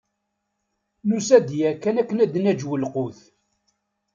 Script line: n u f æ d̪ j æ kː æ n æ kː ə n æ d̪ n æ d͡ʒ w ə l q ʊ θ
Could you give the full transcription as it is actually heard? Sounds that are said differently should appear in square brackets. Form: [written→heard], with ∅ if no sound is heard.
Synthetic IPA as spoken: n u [f→s] æ d̪ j æ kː æ n æ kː ə n æ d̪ n æ d͡ʒ w ə l q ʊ θ